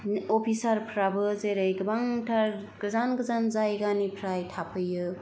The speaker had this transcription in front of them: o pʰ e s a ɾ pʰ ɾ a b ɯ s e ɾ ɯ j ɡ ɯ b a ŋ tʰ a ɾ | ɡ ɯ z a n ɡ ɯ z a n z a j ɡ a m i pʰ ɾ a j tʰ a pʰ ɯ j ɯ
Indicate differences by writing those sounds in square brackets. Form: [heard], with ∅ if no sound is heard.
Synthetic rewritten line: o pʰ [i] s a ɾ pʰ ɾ a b ɯ [z] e ɾ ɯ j ɡ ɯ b a ŋ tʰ a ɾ | ɡ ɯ z a n ɡ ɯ z a n z a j ɡ a [n] i pʰ ɾ a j tʰ a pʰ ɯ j ɯ